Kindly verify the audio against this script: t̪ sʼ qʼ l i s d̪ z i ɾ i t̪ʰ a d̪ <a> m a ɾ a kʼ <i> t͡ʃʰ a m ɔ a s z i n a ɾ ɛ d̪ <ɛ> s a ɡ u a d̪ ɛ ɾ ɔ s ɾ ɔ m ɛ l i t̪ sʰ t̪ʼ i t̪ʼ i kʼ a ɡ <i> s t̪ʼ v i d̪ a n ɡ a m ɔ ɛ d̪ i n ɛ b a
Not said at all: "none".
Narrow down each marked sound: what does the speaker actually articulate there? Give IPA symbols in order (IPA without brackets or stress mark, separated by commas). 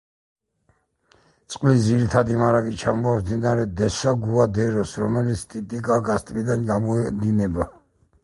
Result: i, i, ɛ, a